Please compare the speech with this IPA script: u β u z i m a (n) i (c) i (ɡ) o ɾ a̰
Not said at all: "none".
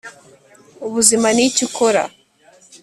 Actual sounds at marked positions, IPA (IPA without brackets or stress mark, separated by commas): n, c, k